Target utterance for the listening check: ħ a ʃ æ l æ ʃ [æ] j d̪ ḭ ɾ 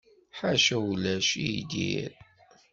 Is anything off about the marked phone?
yes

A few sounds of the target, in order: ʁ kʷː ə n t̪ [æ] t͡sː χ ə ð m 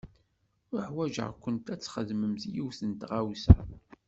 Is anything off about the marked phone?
no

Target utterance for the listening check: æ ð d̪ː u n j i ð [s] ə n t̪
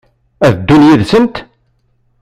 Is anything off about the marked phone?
no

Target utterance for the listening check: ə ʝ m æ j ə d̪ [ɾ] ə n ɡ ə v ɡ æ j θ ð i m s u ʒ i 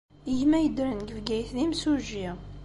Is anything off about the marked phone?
no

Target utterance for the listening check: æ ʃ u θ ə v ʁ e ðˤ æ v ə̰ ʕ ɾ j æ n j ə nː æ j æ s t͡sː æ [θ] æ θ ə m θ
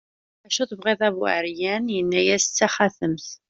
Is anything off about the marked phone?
yes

